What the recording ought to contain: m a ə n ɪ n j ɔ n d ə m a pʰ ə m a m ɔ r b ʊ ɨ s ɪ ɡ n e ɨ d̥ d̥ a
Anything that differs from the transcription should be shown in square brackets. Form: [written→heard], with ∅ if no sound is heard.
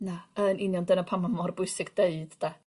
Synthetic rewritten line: [m→n] a ə n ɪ n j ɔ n d ə [m→n] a pʰ [ə→a] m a m ɔ r b ʊ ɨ s ɪ ɡ [n→d] e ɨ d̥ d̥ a